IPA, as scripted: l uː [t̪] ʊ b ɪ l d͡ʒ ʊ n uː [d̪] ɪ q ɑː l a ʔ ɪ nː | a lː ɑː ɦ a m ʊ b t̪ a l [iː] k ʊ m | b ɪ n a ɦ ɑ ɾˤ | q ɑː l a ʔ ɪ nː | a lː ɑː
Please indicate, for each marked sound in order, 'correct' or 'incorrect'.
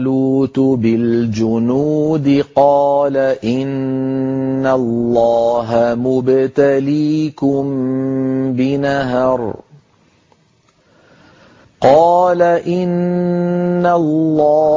correct, correct, correct

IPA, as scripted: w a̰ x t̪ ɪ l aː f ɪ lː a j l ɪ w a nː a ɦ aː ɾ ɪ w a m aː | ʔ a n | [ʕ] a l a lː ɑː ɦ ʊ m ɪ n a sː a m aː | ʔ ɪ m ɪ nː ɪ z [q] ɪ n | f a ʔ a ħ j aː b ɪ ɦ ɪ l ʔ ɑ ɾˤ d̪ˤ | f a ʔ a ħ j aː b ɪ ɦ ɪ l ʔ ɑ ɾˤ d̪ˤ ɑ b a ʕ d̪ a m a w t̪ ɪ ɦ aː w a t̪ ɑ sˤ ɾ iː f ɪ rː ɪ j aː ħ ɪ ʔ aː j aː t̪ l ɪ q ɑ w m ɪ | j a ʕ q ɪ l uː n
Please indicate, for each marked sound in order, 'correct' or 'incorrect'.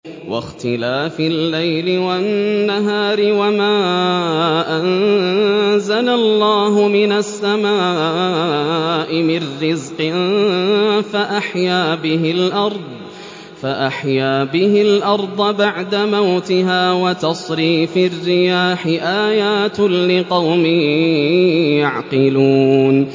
incorrect: z, correct

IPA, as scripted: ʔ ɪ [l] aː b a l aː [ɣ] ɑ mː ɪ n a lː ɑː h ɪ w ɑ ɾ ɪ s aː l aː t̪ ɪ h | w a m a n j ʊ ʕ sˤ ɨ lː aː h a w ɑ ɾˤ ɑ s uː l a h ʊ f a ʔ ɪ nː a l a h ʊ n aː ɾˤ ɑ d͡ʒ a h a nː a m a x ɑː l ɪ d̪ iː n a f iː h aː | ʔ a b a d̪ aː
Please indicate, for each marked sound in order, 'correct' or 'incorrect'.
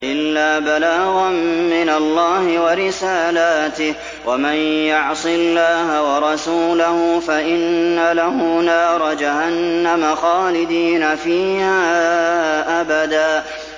incorrect: lː, correct

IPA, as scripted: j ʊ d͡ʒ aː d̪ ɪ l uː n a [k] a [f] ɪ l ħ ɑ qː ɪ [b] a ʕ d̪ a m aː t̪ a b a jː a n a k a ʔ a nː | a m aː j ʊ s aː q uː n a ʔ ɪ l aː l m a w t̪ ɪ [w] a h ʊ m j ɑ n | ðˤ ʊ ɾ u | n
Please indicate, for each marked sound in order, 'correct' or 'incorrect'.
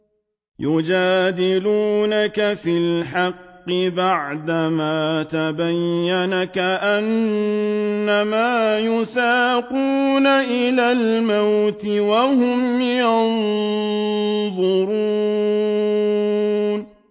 correct, correct, correct, correct

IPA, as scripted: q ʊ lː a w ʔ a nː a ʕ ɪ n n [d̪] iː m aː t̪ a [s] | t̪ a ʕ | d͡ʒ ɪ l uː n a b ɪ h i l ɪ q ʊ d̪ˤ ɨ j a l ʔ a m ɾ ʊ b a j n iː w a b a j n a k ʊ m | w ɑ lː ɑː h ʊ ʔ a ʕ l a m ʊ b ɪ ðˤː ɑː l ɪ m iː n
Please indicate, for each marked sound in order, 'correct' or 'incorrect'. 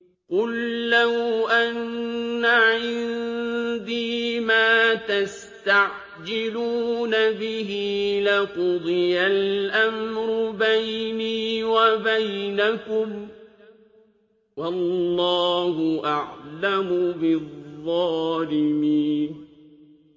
correct, correct

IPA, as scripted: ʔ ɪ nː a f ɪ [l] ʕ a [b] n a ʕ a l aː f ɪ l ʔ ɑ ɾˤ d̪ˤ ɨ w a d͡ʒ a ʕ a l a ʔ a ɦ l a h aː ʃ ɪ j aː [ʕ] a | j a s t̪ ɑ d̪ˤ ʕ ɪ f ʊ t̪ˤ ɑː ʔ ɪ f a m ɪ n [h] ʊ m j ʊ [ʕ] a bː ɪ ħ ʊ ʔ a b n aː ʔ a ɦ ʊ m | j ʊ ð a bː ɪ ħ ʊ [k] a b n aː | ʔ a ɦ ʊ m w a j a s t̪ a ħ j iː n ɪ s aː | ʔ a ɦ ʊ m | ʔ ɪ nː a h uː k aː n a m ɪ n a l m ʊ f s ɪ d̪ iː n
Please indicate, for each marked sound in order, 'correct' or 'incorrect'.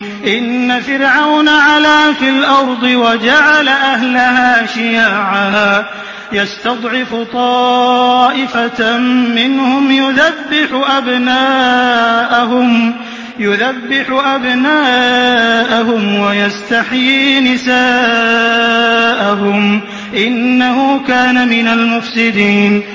incorrect: ɾ, incorrect: w, correct, correct, incorrect: ð, incorrect: ʔ

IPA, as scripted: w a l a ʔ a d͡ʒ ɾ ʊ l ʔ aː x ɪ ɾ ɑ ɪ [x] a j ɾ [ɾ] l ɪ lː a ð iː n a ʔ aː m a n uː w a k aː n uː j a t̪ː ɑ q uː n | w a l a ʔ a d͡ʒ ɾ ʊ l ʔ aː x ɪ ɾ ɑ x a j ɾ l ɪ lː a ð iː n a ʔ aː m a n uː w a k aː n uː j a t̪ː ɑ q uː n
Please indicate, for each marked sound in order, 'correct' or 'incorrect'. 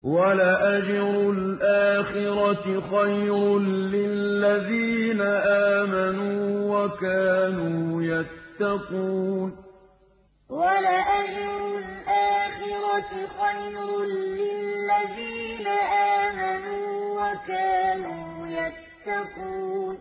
correct, correct

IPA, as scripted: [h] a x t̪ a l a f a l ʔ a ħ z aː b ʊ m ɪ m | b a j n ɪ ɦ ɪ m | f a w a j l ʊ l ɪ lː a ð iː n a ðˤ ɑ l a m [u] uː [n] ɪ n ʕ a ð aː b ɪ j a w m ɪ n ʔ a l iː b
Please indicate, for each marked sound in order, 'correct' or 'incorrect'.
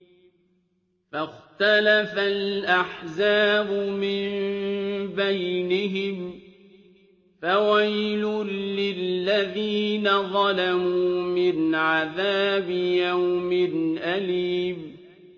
incorrect: f, correct, incorrect: m

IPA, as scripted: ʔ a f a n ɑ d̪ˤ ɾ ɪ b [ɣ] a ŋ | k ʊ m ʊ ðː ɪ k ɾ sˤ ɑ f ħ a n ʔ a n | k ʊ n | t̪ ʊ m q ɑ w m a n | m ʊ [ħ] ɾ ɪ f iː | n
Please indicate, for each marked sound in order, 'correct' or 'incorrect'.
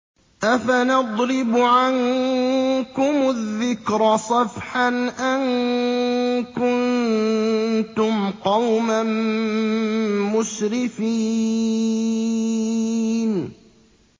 incorrect: ʕ, incorrect: ʃ

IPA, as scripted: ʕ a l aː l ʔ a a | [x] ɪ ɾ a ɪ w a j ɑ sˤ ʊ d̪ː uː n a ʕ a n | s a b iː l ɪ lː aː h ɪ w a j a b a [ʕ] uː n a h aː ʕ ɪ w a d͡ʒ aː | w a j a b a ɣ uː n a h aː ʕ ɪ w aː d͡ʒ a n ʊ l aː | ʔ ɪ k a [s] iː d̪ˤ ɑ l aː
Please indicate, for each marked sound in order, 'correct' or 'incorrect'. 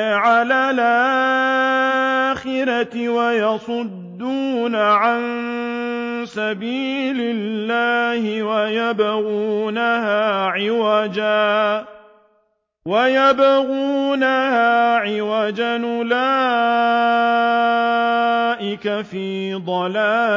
correct, incorrect: ɣ, incorrect: f

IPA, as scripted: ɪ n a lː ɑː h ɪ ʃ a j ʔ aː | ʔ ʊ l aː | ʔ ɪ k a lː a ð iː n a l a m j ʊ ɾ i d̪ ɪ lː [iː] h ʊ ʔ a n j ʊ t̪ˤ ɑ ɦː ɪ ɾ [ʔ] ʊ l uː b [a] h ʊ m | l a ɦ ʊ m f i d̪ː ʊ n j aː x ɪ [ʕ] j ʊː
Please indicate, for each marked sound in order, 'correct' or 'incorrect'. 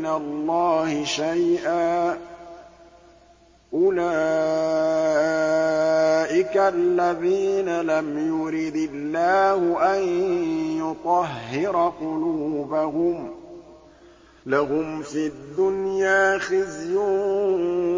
incorrect: aː, incorrect: q, correct, incorrect: z

